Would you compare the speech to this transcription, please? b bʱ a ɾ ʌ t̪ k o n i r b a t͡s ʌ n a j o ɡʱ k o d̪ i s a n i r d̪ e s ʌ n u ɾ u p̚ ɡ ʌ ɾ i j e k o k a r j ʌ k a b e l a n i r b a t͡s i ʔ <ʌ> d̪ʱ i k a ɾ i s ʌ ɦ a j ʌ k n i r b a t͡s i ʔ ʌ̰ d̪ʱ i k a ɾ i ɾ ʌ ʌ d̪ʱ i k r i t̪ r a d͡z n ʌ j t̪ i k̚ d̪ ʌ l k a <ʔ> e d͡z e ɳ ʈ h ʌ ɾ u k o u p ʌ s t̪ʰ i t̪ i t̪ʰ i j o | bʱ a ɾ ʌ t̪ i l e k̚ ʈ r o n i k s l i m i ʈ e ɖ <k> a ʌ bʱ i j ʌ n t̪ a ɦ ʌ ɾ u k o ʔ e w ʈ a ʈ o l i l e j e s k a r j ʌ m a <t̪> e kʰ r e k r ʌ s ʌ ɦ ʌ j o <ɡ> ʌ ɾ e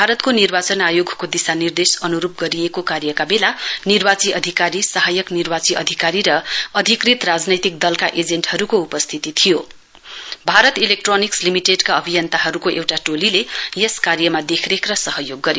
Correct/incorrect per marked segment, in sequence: correct, correct, correct, incorrect: d̪, incorrect: ɡː

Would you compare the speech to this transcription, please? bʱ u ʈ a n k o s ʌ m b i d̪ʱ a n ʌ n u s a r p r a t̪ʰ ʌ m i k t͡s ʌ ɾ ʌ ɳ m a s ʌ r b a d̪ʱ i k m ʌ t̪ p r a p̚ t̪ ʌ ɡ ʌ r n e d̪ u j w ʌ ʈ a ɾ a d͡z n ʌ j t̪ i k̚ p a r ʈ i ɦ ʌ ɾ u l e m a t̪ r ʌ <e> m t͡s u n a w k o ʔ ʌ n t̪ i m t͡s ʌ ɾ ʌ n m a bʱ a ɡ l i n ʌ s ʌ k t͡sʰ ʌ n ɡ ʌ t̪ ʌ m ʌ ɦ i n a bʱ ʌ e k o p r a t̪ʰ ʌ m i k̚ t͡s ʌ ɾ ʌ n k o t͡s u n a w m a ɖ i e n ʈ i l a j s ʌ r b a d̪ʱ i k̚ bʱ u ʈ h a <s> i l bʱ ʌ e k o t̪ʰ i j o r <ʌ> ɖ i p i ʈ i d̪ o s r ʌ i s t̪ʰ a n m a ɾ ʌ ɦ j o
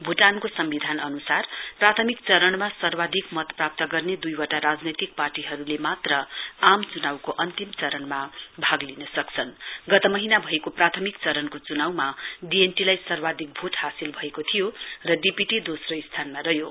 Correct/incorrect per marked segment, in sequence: incorrect: a, correct, correct

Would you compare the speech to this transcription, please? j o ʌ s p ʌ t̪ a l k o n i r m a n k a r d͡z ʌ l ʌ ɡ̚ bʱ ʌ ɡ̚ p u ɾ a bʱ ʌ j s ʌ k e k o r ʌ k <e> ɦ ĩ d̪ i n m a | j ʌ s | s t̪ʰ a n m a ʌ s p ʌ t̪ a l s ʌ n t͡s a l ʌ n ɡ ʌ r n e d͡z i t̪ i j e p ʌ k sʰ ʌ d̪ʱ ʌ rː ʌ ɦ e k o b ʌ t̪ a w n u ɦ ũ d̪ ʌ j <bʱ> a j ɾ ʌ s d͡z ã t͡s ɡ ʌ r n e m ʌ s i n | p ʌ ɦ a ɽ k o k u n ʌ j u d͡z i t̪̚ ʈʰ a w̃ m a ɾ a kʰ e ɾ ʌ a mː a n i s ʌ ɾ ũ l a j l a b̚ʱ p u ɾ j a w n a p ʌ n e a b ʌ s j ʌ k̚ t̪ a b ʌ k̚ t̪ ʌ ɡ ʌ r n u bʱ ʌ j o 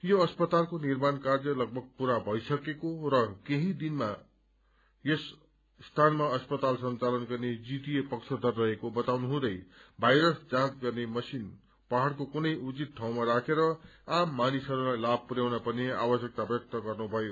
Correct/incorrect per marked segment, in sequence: correct, correct

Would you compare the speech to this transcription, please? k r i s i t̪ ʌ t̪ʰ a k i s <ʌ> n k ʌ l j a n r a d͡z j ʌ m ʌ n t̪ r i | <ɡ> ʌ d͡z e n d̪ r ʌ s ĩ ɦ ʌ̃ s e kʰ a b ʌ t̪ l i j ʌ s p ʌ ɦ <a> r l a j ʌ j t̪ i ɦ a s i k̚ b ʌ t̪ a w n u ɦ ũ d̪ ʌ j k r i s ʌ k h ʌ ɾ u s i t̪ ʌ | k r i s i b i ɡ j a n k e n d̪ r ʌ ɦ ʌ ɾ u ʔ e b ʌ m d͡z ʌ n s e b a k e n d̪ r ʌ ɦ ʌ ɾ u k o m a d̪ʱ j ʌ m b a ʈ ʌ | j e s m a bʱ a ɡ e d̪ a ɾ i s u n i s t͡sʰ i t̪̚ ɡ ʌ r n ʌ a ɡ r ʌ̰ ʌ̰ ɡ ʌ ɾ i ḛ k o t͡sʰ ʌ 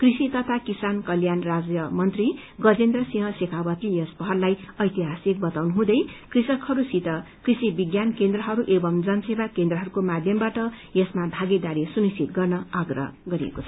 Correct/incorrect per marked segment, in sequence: incorrect: a, correct, incorrect: ʌ

